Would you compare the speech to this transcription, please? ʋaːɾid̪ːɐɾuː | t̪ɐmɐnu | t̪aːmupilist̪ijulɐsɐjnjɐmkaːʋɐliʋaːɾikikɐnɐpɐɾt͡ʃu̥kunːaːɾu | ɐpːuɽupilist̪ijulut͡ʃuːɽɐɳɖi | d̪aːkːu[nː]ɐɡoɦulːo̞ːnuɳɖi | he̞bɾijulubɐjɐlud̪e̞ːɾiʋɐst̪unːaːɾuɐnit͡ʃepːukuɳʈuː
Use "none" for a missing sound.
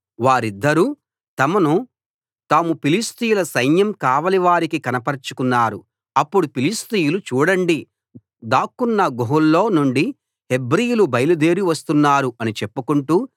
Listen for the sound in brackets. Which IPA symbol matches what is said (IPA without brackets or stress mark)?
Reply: nː